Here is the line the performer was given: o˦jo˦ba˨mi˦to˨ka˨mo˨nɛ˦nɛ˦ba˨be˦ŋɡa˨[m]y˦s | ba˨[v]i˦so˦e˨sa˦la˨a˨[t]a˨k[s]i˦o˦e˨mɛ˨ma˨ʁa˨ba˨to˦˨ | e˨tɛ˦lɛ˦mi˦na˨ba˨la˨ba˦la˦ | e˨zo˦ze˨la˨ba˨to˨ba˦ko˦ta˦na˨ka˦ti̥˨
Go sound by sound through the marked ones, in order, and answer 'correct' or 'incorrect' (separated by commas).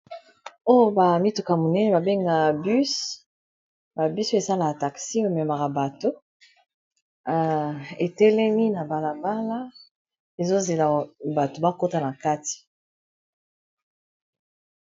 incorrect, incorrect, correct, correct